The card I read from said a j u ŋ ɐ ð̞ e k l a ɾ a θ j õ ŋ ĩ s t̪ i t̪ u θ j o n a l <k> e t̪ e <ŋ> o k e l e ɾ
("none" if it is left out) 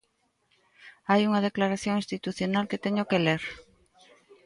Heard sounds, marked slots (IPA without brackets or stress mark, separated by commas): k, ɲ